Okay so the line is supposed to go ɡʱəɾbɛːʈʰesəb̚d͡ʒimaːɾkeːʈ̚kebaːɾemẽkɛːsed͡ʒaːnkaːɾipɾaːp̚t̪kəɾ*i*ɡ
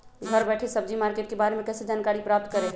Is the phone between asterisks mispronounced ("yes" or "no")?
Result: yes